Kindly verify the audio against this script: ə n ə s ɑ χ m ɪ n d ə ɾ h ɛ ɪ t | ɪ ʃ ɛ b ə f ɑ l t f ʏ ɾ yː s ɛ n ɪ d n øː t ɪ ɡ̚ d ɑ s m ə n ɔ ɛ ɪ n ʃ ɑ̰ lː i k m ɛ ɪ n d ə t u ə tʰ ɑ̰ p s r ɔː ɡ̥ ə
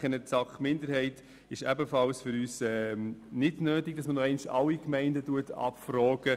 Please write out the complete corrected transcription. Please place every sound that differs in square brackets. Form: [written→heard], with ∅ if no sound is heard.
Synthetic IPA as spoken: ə n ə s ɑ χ m ɪ n d ə ɾ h ɛ ɪ t | ɪ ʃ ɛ b ə f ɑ l [t→s] f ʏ ɾ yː s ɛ n ɪ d n øː t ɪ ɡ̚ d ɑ s m ə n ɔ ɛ ɪ n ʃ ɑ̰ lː i k m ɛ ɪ n d ə t u ə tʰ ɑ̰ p [s→f] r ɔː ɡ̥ ə